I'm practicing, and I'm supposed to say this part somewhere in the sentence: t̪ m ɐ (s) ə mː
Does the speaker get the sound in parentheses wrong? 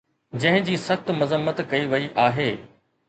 yes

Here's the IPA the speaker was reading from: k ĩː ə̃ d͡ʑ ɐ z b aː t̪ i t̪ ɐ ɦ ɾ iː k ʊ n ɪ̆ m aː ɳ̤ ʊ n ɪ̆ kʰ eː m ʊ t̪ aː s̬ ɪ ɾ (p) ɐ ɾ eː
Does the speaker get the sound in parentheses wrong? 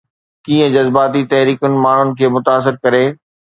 yes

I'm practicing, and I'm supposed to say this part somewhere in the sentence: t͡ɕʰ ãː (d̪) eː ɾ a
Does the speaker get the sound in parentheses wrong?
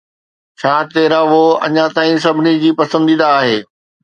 yes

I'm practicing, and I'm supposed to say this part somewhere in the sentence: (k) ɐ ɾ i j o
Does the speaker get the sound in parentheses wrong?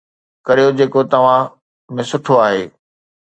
no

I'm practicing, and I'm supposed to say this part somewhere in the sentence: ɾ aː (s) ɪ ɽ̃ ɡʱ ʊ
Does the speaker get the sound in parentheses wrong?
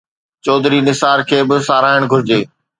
yes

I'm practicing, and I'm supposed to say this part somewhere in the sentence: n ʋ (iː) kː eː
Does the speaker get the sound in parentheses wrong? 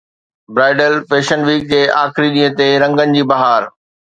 no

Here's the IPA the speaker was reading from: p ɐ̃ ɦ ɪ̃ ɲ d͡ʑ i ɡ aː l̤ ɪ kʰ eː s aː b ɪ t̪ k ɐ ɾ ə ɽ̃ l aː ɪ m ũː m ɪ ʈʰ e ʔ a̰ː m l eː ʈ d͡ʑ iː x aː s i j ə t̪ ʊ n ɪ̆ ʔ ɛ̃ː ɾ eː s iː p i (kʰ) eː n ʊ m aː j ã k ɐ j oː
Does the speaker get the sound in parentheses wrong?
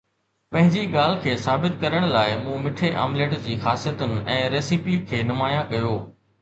no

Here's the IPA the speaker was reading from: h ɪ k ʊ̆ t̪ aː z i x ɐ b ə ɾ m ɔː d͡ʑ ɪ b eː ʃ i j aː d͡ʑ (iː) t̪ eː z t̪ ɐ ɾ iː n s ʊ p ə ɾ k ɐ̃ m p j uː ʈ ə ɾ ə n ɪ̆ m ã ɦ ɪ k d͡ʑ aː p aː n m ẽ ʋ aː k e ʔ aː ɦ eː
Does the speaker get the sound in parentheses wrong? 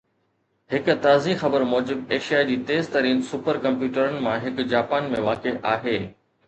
no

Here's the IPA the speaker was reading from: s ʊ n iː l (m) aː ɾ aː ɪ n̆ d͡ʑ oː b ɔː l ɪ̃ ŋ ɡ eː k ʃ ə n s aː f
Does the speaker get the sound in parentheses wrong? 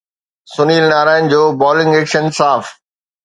yes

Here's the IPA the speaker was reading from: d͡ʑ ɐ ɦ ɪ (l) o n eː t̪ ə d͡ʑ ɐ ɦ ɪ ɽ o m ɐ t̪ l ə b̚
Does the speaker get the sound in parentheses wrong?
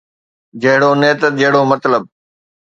yes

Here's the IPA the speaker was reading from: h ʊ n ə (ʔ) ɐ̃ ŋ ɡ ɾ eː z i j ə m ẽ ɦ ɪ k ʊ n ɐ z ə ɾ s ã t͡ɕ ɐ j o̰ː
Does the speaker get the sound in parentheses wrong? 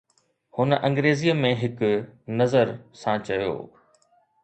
no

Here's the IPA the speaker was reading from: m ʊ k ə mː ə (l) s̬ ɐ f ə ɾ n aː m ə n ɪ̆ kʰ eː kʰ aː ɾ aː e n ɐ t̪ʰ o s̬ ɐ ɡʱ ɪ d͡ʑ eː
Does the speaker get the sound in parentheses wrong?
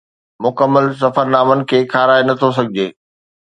no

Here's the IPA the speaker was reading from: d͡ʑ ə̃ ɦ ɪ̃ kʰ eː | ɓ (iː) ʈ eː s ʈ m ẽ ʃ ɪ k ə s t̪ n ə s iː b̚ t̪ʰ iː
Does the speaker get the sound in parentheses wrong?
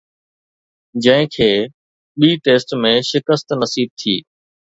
no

